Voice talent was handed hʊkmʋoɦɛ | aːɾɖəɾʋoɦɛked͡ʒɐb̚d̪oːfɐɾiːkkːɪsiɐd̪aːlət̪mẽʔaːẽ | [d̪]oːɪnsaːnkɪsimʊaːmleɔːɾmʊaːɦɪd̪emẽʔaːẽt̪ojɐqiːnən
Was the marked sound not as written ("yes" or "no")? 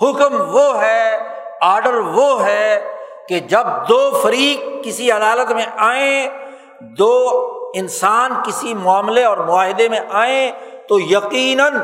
no